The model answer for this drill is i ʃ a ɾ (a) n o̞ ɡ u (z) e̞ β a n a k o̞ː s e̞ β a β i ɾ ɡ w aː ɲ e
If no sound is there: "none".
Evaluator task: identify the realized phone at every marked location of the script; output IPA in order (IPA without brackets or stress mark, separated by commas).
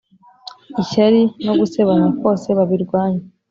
i, s